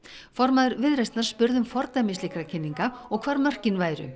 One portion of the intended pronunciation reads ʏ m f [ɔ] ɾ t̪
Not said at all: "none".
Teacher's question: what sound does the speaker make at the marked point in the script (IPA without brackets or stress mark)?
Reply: ɔ